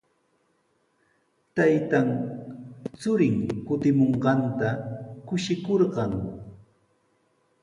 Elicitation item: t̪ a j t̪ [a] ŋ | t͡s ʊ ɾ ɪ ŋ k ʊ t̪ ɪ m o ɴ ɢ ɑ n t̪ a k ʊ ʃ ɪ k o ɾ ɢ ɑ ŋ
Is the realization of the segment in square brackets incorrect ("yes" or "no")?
no